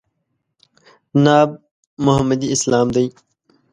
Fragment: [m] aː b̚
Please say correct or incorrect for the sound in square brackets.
incorrect